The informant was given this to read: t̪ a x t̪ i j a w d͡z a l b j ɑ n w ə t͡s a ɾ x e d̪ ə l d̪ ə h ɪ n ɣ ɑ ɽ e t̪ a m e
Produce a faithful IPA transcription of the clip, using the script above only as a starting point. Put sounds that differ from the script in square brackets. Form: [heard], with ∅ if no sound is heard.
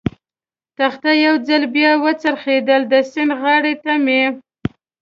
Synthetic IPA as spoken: t̪ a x t̪ [a] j a w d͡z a l b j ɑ [∅] w ə t͡s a ɾ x e d̪ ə l d̪ ə [s] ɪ n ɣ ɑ ɽ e t̪ a m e

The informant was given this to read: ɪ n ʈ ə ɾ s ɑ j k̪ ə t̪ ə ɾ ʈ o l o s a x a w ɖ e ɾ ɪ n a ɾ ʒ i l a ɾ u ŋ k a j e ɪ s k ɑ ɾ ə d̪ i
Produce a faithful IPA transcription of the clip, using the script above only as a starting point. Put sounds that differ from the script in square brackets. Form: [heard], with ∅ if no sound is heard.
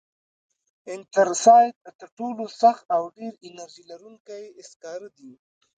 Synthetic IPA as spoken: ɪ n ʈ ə ɾ s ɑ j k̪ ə t̪ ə ɾ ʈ o l o s a x a w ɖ e ɾ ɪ n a ɾ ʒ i l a ɾ u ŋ k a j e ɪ s k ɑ ɾ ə d̪ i

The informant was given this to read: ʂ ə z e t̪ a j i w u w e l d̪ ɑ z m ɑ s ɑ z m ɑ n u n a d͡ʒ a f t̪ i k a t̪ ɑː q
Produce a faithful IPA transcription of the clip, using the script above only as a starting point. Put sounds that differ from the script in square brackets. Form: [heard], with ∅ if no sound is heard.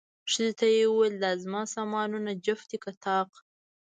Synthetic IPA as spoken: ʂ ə z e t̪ a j [e] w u w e l d̪ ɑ z m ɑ s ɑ [∅] m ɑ n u n a d͡ʒ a f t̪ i k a t̪ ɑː q

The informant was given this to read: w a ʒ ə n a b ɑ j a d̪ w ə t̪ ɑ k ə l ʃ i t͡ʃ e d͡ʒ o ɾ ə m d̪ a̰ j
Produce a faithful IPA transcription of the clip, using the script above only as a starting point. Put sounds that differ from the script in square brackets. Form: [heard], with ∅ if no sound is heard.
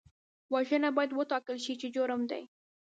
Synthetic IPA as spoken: w a ʒ ə n a b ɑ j a d̪ w ə t̪ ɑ k ə l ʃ i t͡ʃ e d͡ʒ o ɾ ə m d̪ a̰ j

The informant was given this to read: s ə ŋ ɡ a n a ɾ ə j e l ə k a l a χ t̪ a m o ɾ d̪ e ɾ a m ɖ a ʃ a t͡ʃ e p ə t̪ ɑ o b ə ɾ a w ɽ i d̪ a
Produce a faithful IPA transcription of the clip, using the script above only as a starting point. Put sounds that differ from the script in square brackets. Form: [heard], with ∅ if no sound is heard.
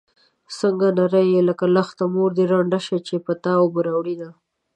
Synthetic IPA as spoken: s ə ŋ ɡ a n a ɾ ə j e l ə k a l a [x] t̪ a m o ɾ d̪ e ɾ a [ɳ] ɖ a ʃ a t͡ʃ e p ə t̪ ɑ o b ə ɾ a w ɽ i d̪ a

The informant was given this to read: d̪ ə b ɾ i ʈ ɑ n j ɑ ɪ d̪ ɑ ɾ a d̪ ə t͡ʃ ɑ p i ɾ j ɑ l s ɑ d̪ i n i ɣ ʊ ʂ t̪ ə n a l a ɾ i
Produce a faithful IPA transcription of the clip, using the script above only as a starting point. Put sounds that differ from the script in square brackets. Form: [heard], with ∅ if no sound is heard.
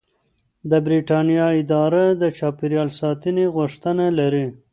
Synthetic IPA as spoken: d̪ ə b ɾ i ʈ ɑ n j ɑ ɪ d̪ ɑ ɾ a d̪ ə t͡ʃ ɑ p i ɾ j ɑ l s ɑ [t̪] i n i ɣ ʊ ʂ t̪ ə n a l a ɾ i

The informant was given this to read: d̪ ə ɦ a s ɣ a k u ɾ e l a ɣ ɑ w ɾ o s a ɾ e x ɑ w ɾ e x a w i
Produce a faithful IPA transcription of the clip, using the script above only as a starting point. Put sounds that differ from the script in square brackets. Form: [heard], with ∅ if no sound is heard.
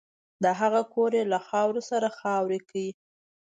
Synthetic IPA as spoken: d̪ ə ɦ a [∅] ɣ a k [o] ɾ e l a [x] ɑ w ɾ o s a ɾ [a] x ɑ w ɾ e [k] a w i

